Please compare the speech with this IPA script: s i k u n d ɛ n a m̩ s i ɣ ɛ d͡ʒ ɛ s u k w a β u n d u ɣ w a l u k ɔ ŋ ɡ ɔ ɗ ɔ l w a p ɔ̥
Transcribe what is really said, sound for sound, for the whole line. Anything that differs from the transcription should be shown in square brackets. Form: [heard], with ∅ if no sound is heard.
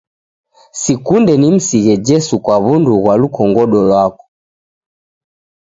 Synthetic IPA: s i k u n d ɛ n [i] m̩ s i ɣ ɛ d͡ʒ ɛ s u k w a β u n d u ɣ w a l u k ɔ ŋ ɡ ɔ ɗ ɔ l w a [k] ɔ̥